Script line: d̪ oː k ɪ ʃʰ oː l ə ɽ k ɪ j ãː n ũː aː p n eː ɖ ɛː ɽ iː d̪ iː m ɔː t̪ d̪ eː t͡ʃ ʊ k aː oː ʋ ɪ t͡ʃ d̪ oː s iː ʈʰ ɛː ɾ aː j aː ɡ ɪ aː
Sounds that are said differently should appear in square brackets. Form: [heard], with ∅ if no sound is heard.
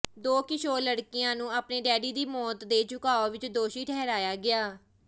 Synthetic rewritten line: d̪ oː k ɪ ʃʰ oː l ə ɽ k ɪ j ãː n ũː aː p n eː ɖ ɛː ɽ iː d̪ iː m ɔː t̪ d̪ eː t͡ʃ ʊ k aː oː ʋ ɪ t͡ʃ d̪ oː [ʃ] iː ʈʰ ɛː ɾ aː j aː ɡ ɪ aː